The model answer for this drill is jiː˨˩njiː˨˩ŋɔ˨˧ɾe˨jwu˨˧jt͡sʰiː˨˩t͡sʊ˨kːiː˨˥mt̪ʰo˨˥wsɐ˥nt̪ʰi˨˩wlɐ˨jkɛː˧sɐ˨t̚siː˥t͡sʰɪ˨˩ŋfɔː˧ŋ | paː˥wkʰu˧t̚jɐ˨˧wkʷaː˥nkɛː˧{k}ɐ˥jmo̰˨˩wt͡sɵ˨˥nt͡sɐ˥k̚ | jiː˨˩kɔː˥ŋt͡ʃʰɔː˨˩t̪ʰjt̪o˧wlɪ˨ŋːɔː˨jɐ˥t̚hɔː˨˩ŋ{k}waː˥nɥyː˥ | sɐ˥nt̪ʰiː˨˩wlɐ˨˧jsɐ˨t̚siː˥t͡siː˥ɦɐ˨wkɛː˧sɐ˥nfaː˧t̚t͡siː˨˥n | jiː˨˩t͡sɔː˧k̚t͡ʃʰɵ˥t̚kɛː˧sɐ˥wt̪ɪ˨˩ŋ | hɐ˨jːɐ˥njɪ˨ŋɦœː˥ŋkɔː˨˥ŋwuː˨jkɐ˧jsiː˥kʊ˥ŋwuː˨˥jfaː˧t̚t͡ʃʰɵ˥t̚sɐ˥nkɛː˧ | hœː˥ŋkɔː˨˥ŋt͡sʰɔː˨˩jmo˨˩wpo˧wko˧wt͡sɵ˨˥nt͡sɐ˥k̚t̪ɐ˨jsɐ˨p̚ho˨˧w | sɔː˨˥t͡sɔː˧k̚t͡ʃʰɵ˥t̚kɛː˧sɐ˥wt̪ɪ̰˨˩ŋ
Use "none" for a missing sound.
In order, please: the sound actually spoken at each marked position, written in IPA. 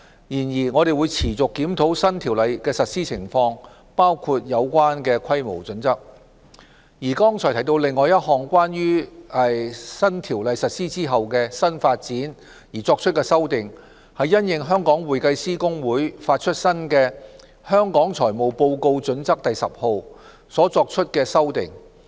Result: kʰ, k

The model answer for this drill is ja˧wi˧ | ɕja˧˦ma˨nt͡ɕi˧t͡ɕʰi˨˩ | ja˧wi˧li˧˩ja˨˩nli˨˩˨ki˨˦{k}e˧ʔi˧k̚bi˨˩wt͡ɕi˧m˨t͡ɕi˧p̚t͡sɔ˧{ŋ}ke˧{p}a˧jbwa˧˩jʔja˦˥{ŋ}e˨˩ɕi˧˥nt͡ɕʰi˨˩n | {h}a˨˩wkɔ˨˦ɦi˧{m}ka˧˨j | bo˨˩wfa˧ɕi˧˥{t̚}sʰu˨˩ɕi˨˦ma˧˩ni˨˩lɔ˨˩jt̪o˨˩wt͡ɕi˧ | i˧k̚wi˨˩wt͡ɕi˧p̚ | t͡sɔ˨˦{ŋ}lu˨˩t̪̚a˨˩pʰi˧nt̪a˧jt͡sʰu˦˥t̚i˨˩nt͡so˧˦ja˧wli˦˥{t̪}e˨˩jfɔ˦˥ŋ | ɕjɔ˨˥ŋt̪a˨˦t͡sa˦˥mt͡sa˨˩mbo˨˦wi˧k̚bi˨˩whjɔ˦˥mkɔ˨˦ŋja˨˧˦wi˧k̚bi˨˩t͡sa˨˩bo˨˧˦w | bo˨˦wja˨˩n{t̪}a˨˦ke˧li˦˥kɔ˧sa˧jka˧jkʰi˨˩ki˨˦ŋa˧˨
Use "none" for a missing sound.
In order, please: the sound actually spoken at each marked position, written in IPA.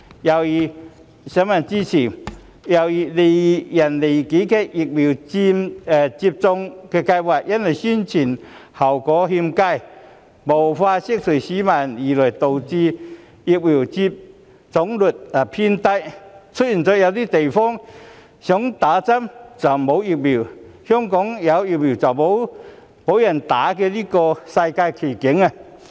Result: k, ŋ, k, n, h, m, k̚, ŋ, t̪, t̪

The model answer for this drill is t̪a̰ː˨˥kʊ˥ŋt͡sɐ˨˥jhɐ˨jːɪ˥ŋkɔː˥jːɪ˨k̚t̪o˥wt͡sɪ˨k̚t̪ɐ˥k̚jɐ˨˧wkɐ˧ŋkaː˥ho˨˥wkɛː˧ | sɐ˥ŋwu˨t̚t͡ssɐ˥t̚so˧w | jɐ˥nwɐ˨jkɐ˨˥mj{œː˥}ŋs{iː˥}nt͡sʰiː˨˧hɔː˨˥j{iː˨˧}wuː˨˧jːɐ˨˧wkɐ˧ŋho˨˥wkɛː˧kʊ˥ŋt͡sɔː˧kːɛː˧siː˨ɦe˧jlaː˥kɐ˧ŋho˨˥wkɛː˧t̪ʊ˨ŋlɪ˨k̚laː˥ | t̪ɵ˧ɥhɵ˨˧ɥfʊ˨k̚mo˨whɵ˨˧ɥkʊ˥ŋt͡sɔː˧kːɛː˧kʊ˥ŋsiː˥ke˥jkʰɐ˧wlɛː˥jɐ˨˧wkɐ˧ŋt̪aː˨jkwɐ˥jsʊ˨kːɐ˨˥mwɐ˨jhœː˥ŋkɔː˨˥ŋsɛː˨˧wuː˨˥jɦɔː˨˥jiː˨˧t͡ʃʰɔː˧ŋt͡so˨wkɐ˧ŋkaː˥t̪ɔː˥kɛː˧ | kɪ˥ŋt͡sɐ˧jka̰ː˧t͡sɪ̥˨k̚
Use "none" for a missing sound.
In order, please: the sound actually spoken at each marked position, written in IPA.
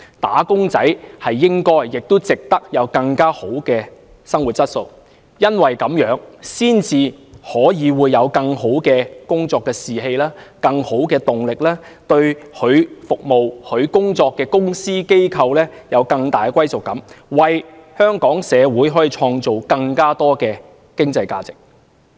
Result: œː˨˥, iː˥, iː˨˧

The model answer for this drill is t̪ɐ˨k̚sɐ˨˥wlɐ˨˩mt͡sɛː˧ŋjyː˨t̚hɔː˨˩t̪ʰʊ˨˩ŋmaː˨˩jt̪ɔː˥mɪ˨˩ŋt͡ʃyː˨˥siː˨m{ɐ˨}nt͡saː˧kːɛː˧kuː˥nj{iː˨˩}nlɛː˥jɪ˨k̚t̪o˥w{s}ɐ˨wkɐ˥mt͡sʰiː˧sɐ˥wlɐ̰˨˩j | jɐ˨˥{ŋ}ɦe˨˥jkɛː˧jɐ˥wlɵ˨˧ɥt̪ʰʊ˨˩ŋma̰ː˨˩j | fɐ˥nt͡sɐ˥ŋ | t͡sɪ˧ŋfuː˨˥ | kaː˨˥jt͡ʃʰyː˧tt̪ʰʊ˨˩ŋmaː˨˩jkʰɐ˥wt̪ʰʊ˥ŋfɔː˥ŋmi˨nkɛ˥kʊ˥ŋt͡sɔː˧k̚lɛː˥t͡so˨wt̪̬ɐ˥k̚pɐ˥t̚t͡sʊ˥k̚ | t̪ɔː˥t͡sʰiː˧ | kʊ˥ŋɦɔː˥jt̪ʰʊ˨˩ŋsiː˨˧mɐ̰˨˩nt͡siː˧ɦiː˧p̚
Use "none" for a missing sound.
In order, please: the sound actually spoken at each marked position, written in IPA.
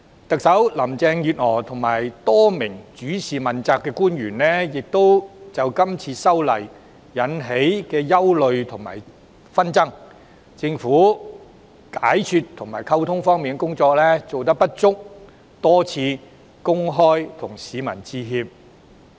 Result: ɐ˨, yː˨˩, t͡s, n

